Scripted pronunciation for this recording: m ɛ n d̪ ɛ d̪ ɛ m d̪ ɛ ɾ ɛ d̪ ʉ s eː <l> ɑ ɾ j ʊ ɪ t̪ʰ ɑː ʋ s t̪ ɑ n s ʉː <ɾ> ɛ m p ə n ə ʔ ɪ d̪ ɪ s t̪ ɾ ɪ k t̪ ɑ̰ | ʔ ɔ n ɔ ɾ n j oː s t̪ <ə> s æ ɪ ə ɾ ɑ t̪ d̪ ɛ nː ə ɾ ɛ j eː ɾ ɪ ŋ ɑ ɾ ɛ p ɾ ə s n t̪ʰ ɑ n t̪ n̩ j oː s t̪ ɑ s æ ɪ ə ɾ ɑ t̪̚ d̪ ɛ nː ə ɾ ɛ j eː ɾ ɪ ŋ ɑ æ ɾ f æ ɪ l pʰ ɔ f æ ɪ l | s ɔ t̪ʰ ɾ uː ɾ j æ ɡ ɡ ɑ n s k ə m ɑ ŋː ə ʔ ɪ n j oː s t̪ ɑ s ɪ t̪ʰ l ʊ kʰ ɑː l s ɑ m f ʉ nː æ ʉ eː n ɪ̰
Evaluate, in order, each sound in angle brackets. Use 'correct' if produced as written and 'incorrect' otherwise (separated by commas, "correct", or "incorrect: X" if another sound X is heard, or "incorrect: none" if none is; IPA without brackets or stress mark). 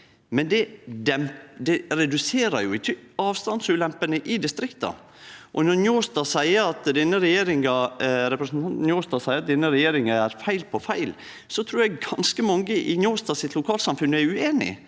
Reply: incorrect: ɾ, incorrect: l, incorrect: ɑ